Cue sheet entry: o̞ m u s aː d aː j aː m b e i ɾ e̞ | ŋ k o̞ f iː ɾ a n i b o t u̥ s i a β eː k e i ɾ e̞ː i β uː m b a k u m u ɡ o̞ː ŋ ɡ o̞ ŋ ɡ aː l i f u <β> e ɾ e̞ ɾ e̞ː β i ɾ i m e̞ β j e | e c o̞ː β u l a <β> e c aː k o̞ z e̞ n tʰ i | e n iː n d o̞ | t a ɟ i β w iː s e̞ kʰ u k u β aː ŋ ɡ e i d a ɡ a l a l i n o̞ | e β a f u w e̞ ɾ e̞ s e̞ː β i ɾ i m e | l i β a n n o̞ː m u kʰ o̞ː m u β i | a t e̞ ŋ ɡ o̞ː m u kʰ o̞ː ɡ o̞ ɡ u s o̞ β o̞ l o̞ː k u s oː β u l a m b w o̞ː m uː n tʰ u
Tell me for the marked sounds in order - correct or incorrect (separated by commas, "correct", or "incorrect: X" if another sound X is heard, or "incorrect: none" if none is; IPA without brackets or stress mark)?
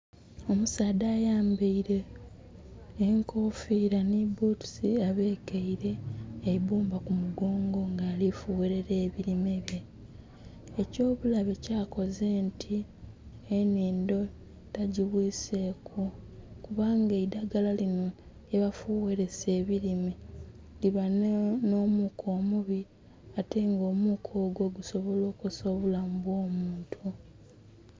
incorrect: w, correct